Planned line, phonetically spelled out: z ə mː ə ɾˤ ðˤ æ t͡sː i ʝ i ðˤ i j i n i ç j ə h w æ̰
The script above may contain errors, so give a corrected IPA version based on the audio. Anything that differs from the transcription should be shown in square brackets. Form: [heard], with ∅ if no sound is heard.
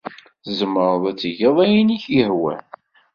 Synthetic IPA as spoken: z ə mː ə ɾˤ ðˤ æ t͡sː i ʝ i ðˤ [æ] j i n i ç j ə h w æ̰